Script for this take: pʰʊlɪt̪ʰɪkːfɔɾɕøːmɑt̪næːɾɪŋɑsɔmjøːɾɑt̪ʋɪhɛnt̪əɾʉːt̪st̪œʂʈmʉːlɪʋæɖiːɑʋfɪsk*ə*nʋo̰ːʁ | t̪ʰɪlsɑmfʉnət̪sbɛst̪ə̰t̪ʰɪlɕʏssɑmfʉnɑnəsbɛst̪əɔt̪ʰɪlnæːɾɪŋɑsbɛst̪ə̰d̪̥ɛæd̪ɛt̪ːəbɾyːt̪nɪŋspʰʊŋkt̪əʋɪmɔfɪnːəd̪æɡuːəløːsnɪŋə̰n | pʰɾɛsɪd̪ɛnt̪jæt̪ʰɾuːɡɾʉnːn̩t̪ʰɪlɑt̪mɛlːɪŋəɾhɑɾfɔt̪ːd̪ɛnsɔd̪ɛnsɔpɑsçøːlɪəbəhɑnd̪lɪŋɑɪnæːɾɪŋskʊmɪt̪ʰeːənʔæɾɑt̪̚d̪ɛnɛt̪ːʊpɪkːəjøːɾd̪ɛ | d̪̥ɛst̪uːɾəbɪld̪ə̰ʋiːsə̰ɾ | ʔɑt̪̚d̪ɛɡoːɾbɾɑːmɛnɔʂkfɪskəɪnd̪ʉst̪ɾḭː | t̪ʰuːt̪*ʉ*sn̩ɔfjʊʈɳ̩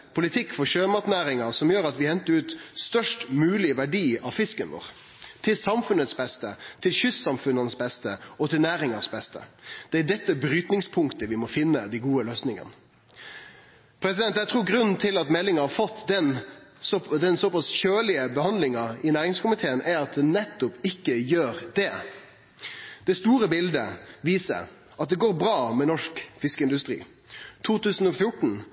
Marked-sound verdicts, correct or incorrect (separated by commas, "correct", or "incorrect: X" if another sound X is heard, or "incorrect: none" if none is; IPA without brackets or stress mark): correct, incorrect: ʉː